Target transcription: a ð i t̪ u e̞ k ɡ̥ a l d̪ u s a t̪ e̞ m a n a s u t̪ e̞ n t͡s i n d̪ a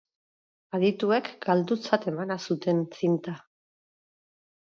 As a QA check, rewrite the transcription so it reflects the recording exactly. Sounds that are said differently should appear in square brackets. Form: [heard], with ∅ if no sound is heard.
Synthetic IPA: a ð i t̪ u e̞ k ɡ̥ a l d̪ u [t͡s] a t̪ e̞ m a n a s u t̪ e̞ n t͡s i n [t̪] a